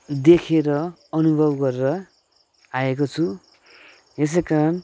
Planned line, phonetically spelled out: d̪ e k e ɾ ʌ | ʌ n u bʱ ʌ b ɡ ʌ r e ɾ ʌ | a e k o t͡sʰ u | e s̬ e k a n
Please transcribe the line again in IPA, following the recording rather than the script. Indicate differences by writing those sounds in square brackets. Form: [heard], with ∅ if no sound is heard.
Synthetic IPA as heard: d̪ e [kʰ] e ɾ ʌ | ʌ n u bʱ ʌ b ɡ ʌ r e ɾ ʌ | a e k o t͡sʰ u | e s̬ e k a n